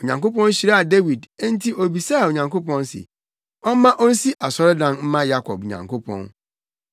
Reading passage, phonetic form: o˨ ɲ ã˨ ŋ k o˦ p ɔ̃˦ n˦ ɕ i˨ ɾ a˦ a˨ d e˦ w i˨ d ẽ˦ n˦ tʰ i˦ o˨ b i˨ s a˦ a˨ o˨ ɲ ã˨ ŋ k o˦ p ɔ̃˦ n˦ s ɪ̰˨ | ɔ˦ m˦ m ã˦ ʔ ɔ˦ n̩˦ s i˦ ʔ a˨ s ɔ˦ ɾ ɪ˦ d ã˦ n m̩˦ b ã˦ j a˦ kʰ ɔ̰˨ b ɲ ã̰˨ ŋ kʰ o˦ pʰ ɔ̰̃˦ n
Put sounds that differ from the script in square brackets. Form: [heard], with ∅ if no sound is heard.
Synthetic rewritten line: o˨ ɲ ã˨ ŋ k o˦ p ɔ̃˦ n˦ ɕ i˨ ɾ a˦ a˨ d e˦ w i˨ d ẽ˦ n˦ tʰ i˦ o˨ b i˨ s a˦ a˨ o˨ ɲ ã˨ ŋ k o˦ p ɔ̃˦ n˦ s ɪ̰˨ | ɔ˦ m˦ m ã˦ ʔ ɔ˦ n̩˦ s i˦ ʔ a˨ s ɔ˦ ɾ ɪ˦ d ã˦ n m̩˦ [m] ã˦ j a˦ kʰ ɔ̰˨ b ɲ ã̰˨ ŋ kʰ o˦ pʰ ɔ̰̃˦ n